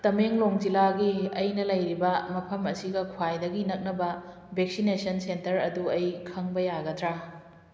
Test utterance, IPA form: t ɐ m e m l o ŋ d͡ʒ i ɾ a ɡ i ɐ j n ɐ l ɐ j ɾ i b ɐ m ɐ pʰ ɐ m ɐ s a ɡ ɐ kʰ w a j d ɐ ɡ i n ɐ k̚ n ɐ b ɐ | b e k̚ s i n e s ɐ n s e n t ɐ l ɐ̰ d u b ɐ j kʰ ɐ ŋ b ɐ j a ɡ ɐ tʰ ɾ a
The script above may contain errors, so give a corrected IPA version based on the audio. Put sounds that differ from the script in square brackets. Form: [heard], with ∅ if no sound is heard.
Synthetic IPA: t ɐ m e [ŋ] l o ŋ d͡ʒ i [l] a ɡ i ɐ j n ɐ l ɐ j ɾ i b ɐ m ɐ pʰ ɐ m ɐ s [i] ɡ ɐ kʰ w a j d ɐ ɡ i n ɐ k̚ n ɐ b ɐ | b e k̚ s i n e s ɐ n s e n t ɐ [ɾ] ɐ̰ d u [∅] ɐ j kʰ ɐ ŋ b ɐ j a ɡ ɐ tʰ ɾ a